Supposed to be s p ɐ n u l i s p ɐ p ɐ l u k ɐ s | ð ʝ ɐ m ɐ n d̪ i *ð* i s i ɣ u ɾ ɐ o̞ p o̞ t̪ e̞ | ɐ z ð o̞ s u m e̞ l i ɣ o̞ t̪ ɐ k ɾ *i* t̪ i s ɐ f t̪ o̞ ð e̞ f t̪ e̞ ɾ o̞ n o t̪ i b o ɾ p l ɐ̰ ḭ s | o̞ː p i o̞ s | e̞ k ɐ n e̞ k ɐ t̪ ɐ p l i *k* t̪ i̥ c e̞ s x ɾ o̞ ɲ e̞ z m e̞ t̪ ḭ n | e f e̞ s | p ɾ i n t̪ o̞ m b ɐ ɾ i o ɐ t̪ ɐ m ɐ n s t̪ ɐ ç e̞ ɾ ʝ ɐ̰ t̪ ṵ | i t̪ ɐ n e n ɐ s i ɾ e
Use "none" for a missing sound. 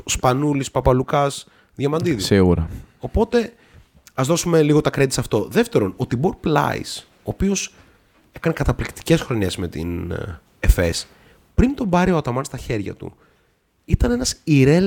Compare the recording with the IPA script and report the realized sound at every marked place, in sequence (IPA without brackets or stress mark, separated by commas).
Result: ð, e, k